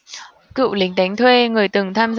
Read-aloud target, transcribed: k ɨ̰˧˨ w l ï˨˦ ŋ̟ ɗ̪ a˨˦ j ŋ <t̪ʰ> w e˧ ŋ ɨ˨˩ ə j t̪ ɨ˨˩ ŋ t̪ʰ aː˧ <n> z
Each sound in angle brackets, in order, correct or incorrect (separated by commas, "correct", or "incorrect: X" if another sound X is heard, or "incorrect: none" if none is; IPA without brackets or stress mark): correct, incorrect: m